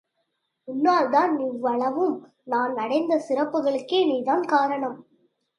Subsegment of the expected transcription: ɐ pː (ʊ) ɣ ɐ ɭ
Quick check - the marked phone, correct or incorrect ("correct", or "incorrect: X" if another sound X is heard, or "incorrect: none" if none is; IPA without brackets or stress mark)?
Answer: incorrect: ɯ